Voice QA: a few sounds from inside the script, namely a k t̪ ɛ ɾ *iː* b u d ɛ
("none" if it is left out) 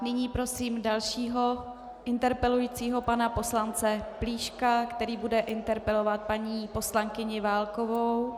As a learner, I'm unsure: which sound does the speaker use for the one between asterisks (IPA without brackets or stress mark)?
iː